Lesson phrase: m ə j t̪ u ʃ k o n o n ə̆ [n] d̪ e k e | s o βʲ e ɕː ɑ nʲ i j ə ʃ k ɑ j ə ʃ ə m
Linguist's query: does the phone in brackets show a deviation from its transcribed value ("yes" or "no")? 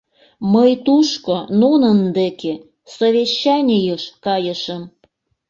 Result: no